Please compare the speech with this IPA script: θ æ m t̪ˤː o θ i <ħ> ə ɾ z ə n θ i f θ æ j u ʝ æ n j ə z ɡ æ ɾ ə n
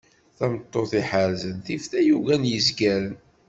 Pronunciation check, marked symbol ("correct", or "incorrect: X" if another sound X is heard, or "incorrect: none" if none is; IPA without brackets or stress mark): correct